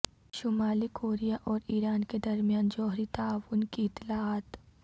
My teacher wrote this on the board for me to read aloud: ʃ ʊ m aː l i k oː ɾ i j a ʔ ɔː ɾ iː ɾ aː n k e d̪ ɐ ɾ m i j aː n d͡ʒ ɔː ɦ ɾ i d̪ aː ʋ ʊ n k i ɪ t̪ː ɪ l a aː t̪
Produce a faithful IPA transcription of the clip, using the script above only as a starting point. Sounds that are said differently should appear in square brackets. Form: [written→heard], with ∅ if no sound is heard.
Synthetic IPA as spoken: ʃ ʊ m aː l i k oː ɾ i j a ʔ ɔː ɾ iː ɾ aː n k e d̪ ɐ ɾ m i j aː n d͡ʒ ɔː ɦ ɾ i [d̪→t̪] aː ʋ ʊ n k i ɪ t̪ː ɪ l a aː t̪